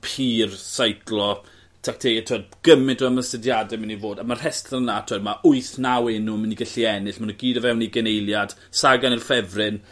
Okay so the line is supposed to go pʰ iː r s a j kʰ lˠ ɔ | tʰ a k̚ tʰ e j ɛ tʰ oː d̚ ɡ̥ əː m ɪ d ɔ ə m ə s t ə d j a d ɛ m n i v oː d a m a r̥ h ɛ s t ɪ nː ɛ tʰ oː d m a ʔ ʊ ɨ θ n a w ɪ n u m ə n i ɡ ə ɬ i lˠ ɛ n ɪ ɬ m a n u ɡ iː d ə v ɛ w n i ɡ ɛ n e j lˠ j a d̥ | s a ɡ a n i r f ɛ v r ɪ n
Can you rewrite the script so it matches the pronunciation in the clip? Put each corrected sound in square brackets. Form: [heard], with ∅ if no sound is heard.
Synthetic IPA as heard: pʰ iː r s a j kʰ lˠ ɔ | tʰ a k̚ tʰ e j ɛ tʰ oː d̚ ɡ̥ [ə] m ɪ d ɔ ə m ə s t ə d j a d ɛ m n i v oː d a m a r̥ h ɛ s t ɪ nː [a] tʰ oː d m a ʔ ʊ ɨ θ n a w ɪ n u m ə n i ɡ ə ɬ i [∅] ɛ n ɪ ɬ m a n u ɡ iː d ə v ɛ w n i ɡ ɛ n e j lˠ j a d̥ | s a ɡ a n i r f ɛ v r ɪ n